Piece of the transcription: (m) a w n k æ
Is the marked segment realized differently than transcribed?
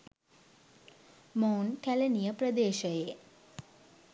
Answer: no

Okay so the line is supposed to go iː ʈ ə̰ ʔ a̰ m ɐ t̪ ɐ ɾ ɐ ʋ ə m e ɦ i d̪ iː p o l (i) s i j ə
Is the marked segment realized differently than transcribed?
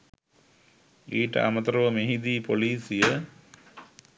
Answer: yes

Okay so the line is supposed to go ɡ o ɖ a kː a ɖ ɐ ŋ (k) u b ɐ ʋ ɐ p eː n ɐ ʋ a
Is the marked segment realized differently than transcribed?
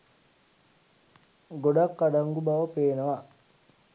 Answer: yes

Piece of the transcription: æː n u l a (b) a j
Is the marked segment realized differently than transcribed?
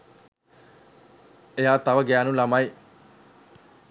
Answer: yes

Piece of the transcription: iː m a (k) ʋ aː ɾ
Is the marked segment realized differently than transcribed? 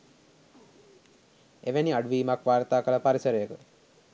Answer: no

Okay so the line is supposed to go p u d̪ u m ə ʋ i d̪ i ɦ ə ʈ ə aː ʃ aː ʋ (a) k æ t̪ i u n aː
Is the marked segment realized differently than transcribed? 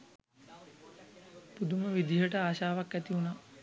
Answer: no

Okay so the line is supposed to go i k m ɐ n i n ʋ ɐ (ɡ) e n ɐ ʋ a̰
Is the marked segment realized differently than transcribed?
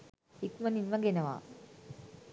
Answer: no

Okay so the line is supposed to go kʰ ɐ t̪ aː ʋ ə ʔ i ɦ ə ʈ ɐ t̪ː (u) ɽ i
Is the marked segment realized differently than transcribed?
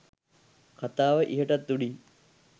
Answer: no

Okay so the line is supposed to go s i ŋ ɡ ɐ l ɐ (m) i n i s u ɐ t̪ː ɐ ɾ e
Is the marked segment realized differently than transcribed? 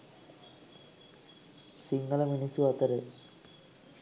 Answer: no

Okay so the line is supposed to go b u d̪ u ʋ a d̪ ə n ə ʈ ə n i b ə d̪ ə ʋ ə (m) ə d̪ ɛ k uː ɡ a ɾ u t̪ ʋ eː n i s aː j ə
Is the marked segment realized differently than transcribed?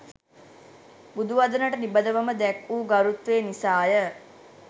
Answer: no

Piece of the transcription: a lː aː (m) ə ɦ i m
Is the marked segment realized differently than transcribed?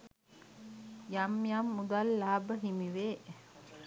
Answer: yes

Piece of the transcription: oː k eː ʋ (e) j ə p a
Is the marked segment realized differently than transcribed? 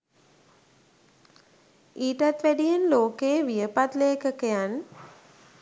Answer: yes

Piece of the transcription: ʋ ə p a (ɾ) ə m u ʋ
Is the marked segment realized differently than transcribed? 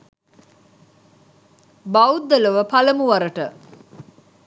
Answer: yes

